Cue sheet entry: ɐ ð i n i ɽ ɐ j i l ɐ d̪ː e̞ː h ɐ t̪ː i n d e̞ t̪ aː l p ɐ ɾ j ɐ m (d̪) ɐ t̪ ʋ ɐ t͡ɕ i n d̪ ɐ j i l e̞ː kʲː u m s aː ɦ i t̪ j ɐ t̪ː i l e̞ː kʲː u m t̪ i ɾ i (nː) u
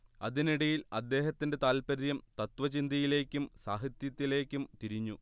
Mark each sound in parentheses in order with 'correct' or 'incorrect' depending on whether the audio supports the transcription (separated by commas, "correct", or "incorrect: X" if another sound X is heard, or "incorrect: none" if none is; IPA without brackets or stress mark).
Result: incorrect: t̪, incorrect: ɲː